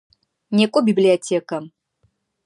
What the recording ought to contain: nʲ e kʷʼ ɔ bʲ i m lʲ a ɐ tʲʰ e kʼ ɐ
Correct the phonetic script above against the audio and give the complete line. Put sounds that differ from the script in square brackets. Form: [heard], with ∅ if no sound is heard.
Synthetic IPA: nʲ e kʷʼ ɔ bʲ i [b] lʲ [i] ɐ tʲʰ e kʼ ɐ